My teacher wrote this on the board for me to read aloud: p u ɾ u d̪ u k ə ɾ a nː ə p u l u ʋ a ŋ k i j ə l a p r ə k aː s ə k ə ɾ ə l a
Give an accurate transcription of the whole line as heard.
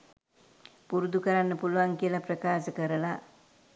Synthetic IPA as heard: p u ɾ u d̪ u k ə ɾ a nː ə p u l u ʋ a ŋ k i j ə l a p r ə k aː s ə k ə ɾ ə l a